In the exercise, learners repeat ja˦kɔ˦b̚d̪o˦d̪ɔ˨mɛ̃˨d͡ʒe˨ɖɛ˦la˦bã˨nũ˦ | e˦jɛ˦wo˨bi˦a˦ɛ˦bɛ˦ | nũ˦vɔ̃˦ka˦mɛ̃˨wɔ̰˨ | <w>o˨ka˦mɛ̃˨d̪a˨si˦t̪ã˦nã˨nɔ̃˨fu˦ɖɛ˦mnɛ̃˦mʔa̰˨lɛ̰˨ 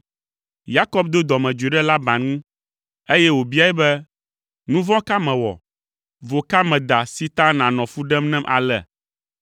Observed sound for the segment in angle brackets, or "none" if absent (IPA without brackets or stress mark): v